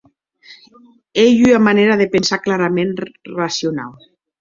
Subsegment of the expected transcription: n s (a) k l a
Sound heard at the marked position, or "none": a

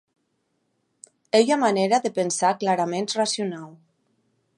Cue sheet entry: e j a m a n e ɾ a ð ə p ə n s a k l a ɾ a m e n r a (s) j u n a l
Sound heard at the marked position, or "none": s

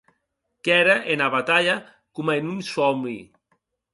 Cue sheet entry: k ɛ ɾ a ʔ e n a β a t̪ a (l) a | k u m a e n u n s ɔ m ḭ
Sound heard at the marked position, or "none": ʎ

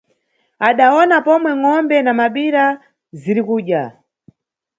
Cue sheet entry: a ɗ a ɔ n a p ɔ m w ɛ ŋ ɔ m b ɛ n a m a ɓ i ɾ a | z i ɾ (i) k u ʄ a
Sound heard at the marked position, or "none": i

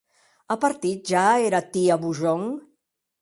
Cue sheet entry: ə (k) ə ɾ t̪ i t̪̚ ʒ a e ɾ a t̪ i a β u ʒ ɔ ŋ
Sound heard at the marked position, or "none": p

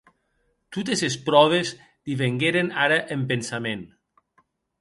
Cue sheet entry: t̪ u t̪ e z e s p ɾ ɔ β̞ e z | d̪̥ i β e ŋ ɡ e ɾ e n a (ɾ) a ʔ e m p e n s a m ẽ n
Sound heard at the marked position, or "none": ɾ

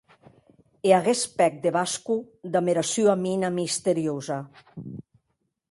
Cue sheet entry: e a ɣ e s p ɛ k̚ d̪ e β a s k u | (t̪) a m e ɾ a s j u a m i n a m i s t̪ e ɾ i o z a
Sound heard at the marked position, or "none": d̪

